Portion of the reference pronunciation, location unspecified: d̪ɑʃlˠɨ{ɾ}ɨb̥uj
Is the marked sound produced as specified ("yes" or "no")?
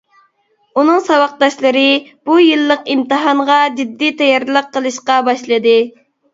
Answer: yes